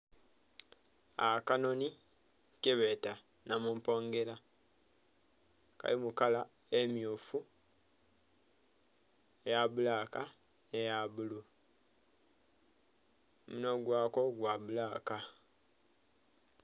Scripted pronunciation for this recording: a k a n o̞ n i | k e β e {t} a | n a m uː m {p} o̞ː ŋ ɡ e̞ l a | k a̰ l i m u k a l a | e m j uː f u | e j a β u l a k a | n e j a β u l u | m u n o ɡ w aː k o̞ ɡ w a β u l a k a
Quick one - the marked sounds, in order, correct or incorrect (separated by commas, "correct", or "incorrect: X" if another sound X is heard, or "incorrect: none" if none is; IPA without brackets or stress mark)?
correct, correct